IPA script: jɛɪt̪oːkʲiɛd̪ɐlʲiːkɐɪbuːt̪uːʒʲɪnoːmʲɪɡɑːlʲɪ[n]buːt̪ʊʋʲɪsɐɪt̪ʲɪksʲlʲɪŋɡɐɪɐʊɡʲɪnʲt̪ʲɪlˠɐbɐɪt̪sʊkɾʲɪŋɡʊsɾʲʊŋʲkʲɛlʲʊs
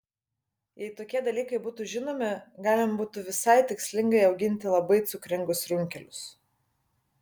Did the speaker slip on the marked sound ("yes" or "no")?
yes